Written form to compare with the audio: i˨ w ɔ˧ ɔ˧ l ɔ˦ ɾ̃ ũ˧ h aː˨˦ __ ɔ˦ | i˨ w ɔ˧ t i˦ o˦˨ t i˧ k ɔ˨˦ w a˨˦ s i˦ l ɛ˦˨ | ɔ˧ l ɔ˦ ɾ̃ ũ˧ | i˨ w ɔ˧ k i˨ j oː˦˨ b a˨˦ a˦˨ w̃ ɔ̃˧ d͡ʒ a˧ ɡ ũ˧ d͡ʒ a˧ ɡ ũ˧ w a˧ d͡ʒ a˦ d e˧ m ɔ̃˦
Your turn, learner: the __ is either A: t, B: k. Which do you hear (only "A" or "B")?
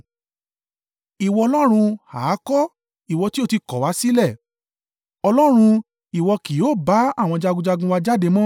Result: B